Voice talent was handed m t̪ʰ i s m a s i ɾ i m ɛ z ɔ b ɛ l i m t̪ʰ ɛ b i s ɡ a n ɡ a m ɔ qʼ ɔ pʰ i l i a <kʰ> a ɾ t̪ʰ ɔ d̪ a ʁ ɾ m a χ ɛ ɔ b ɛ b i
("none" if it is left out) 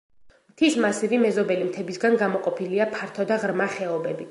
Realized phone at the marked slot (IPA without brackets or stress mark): pʰ